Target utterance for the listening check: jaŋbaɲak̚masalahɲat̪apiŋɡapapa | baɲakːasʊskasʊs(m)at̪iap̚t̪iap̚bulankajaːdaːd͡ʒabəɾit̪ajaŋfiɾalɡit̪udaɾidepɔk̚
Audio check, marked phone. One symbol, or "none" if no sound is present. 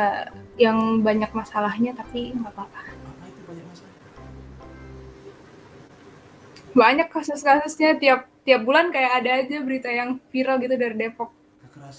ɲ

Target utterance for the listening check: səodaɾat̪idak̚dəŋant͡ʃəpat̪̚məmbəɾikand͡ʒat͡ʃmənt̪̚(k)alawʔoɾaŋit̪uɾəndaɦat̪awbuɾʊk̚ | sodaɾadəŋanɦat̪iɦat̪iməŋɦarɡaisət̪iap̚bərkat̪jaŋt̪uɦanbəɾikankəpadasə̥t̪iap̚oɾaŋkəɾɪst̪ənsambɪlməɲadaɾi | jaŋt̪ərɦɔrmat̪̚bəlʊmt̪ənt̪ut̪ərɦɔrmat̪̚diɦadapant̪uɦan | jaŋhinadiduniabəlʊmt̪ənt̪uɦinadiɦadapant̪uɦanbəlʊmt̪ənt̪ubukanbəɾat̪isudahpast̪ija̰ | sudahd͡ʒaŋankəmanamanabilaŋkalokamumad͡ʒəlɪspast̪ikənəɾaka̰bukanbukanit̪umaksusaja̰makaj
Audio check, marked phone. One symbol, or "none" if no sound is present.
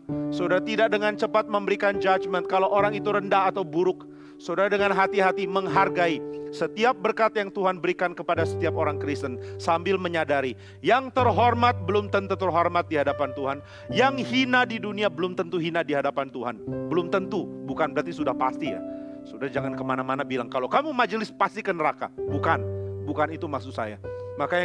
k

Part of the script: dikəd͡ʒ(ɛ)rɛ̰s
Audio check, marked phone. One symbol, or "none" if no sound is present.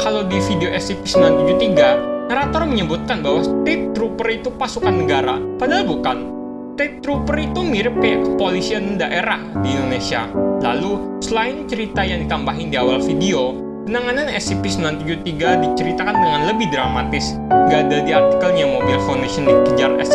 a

